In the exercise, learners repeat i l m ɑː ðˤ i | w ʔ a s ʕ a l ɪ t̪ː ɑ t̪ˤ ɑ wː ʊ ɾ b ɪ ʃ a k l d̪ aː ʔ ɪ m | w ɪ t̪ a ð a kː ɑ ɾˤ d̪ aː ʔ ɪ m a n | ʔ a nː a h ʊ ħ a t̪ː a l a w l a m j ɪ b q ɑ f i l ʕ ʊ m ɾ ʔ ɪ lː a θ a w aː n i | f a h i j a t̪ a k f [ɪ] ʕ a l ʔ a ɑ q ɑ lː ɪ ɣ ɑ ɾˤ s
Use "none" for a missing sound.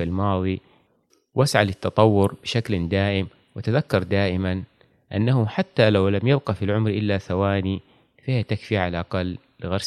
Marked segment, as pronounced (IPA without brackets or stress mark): i